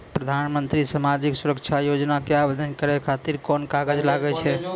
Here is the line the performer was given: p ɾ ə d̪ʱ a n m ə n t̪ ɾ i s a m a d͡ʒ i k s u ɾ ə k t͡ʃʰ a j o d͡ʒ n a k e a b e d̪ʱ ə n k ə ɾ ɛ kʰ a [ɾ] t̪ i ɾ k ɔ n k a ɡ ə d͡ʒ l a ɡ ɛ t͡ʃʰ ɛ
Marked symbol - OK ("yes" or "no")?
no